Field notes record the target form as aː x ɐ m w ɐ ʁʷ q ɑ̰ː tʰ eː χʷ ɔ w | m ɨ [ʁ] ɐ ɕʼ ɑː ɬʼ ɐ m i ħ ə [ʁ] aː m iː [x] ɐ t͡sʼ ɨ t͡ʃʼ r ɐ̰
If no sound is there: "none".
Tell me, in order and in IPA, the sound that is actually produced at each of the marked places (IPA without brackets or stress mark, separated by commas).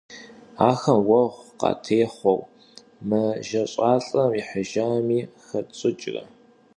ʒ, ʒ, x